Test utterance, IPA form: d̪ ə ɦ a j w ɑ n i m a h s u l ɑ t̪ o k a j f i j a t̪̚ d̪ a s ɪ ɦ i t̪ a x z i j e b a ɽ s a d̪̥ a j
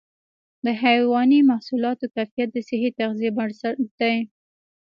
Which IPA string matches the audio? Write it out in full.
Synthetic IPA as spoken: d̪ ə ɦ a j w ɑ n i m a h s u l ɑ t̪ o k a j f i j a t̪̚ d̪ ə s ɪ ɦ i t̪ a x z i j e b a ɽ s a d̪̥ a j